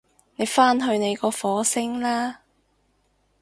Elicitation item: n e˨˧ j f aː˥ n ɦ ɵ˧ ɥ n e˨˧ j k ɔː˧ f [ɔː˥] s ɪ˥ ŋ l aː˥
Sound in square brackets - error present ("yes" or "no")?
yes